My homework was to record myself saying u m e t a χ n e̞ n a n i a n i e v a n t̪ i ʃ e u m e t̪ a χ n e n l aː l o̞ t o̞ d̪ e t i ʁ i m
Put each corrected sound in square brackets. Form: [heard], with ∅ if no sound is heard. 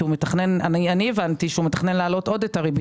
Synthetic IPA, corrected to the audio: u m e t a χ n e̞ n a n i a n i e v a n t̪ i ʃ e u m e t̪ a χ n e n l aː l o̞ t o̞ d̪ e t [a] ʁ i [b]